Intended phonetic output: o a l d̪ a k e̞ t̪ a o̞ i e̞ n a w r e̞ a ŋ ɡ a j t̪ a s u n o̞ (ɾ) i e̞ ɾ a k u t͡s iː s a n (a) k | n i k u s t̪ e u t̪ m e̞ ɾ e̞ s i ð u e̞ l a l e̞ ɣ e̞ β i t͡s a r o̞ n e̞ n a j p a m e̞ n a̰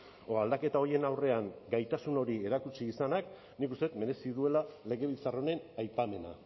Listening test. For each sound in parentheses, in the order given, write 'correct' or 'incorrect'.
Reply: correct, correct

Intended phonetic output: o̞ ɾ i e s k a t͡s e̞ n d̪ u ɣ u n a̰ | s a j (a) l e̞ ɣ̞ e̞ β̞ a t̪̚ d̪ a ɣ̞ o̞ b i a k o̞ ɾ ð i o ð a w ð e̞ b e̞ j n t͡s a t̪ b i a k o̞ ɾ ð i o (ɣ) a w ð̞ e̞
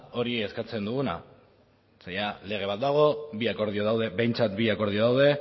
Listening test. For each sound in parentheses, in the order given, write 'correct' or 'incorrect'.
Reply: correct, incorrect

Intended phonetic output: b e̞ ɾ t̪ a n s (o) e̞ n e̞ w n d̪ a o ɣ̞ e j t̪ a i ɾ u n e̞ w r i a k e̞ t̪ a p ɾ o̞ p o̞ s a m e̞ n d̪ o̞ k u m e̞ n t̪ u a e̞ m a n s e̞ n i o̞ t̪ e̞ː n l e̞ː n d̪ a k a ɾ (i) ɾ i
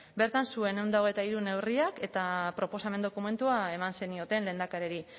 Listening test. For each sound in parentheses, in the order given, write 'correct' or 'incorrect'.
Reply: incorrect, incorrect

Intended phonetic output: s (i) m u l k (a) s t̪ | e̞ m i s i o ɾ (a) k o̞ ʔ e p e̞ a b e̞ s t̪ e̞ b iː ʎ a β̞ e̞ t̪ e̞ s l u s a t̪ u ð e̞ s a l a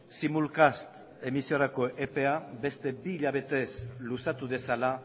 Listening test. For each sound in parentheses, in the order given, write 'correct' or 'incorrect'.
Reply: correct, correct, correct

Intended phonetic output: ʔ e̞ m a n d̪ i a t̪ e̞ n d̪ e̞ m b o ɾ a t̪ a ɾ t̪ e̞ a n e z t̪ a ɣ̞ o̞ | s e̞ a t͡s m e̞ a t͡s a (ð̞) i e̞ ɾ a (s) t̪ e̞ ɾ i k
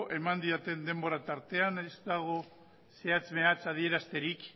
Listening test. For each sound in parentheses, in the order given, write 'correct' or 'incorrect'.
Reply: correct, correct

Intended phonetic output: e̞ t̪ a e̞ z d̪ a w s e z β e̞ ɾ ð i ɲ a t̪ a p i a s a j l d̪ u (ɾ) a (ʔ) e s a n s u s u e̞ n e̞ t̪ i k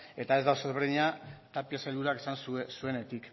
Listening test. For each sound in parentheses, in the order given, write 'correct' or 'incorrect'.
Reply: correct, incorrect

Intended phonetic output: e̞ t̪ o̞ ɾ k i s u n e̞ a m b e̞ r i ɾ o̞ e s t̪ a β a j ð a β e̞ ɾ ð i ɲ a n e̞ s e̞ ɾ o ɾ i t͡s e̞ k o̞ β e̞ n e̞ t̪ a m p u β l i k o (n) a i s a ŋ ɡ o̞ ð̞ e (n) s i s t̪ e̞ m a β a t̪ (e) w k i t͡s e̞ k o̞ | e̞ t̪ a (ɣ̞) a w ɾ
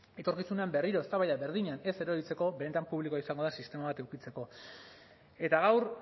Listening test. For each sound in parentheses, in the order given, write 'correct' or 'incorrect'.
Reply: incorrect, correct, correct, correct

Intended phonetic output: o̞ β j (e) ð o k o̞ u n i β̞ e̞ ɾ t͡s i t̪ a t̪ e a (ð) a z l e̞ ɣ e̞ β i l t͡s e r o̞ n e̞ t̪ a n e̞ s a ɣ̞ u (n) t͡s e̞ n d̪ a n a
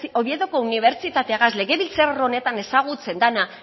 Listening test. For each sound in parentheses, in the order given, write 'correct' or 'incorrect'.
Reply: correct, incorrect, incorrect

